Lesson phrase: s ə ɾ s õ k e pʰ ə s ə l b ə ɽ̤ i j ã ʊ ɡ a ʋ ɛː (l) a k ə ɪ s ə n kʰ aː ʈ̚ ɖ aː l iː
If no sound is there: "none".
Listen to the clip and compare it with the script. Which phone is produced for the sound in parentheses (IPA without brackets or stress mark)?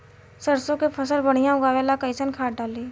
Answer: l